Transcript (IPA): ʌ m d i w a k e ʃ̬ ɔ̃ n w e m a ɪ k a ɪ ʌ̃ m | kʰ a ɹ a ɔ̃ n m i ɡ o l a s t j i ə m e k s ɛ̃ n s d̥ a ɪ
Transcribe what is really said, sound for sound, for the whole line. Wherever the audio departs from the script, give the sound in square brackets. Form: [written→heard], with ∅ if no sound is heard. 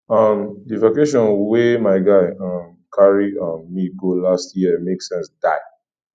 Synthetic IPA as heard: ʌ m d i [w→v] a k e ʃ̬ ɔ̃ n w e m a ɪ [k→ɡ] a ɪ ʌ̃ m | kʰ a ɹ [a→i] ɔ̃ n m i ɡ o l a s t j i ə m e k s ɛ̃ n s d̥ a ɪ